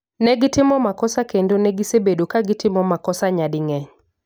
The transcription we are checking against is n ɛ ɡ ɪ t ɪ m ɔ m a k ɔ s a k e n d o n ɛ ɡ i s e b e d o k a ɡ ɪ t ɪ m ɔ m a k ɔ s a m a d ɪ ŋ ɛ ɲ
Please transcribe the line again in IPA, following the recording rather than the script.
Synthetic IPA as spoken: n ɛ ɡ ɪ t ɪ m ɔ m a k ɔ s a k e n d o n ɛ ɡ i s e b e d o k a ɡ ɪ t ɪ m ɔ m a k ɔ s a ɲ a d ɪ ŋ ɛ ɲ